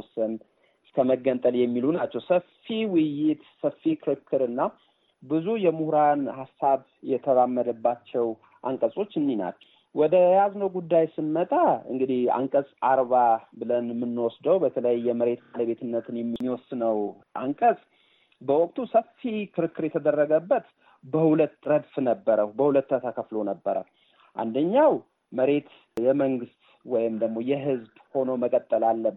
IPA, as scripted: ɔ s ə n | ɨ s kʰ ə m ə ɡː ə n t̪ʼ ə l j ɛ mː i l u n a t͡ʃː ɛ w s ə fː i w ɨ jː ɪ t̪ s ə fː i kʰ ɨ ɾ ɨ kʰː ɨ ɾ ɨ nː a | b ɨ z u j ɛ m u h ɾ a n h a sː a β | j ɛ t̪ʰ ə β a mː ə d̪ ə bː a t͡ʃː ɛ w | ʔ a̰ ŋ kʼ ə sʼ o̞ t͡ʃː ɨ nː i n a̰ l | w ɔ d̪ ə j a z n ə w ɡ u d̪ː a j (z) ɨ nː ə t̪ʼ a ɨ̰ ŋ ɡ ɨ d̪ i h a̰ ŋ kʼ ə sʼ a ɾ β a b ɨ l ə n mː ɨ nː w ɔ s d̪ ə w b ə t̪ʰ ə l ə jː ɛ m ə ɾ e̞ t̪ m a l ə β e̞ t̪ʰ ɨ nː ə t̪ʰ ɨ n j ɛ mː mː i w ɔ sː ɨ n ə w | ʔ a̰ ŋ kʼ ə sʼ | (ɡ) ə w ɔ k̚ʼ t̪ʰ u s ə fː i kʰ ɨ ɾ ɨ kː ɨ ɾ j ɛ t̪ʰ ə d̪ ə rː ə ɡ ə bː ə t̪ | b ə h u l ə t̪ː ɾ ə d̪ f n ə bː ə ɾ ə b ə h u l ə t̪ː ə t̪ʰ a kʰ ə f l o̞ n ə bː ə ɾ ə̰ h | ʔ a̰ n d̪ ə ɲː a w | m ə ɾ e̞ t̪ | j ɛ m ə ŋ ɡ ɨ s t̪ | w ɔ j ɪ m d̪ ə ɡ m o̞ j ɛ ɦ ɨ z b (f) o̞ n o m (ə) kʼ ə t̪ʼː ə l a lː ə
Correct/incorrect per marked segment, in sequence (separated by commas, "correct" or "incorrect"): incorrect, incorrect, incorrect, correct